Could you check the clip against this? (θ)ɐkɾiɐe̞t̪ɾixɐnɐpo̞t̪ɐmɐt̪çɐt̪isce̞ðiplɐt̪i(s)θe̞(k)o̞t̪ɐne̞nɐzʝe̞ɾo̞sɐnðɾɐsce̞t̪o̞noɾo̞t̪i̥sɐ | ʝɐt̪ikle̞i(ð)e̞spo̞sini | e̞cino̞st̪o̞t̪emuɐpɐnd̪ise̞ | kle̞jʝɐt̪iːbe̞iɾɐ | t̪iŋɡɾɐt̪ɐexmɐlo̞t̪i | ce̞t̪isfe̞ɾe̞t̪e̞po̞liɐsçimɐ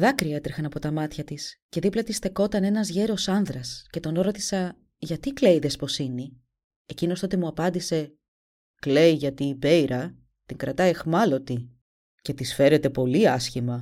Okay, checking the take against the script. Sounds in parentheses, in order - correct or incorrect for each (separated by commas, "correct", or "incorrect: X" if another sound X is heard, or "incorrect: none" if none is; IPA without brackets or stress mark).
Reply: incorrect: ð, correct, correct, correct